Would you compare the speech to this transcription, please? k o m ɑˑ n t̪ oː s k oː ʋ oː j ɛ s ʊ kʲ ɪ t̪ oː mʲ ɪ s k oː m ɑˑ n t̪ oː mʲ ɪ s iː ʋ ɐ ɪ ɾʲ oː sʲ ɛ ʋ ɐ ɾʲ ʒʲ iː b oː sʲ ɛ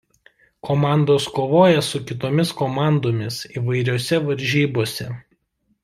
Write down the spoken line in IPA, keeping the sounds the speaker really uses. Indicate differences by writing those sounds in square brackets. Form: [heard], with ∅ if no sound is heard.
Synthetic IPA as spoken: k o m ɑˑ n [d̪] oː s k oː ʋ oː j ɛ s ʊ kʲ ɪ t̪ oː mʲ ɪ s k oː m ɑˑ n [d̪] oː mʲ ɪ s iː ʋ ɐ ɪ ɾʲ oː sʲ ɛ ʋ ɐ ɾʲ ʒʲ iː b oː sʲ ɛ